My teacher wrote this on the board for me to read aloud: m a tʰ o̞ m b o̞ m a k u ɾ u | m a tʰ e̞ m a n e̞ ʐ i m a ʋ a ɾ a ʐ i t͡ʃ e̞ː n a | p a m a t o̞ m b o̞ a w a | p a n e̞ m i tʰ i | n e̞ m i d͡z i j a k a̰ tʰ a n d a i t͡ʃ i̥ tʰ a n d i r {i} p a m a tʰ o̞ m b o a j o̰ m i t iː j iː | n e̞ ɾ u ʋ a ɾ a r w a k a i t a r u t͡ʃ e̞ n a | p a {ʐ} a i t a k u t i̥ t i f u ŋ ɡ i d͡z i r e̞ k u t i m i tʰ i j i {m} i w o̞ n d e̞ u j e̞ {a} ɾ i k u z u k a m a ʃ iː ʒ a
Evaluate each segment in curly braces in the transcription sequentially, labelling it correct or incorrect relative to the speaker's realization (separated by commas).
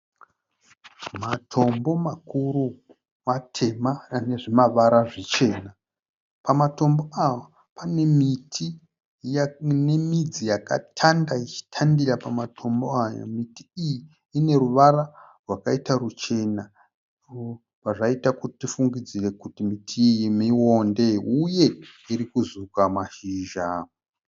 incorrect, correct, correct, incorrect